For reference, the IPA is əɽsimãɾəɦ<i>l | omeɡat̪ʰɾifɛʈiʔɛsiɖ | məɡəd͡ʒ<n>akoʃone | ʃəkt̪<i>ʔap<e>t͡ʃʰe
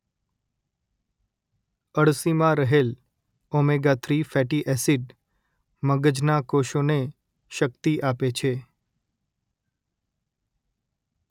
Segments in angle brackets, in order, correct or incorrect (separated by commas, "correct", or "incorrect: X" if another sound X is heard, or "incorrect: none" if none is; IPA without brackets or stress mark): incorrect: e, correct, correct, correct